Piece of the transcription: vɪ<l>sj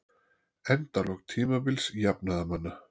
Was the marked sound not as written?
no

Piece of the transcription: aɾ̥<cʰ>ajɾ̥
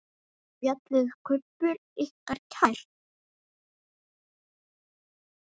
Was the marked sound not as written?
no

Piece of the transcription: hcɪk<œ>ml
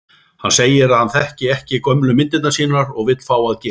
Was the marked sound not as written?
no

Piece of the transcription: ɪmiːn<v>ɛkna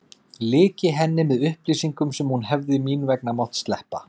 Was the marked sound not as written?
no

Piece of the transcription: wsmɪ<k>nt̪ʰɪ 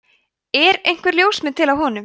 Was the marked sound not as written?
yes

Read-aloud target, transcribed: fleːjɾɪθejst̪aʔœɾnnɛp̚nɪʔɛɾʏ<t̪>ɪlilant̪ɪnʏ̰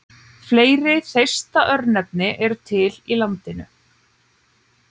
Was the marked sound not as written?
yes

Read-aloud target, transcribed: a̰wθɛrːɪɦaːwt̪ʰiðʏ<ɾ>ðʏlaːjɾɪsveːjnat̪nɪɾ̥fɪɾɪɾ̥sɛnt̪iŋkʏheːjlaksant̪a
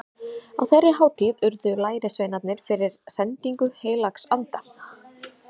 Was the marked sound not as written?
no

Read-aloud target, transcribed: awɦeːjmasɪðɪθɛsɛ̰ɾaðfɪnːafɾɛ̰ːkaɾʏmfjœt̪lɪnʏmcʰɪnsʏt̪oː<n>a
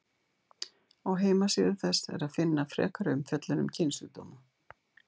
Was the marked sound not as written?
yes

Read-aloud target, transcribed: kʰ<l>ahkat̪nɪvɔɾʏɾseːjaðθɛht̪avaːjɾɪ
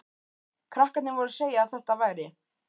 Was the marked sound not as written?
yes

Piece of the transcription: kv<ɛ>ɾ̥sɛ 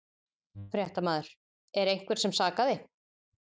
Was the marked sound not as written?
no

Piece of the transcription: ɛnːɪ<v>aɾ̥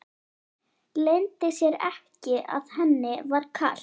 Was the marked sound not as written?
no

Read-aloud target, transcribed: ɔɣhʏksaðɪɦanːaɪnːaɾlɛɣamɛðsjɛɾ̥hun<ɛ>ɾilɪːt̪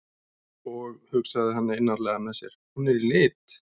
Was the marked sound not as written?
no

